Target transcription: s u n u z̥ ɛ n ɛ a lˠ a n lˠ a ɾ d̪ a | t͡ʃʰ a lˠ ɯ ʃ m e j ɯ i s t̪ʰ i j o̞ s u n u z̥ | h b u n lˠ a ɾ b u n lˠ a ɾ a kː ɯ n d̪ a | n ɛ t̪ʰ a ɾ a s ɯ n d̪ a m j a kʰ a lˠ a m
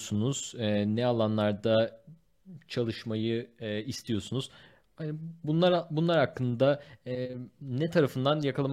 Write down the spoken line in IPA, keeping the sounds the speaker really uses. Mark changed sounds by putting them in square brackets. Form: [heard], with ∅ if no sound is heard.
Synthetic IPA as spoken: s u n u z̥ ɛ n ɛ a lˠ a n lˠ a ɾ d̪ a | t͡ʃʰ a lˠ ɯ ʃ m [a] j ɯ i s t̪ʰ i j o̞ s u n u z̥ | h b u n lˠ a ɾ b u n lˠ a ɾ a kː ɯ n d̪ a | n ɛ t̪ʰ a ɾ a [f] ɯ n d̪ a [n] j a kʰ a lˠ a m